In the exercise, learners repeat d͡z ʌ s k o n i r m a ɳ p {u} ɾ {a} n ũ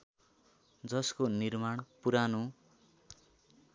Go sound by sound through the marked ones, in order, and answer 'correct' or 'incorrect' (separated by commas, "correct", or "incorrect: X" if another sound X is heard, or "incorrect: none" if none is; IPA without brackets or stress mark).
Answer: correct, correct